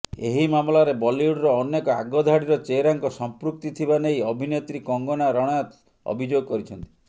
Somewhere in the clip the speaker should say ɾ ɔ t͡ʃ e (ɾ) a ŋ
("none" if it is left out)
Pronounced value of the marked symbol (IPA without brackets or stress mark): ɾ